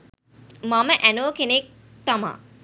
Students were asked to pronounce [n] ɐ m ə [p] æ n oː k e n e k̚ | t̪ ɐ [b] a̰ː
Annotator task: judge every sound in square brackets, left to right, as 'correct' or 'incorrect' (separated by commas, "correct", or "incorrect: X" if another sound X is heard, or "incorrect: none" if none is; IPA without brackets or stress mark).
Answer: incorrect: m, incorrect: ʔ, incorrect: m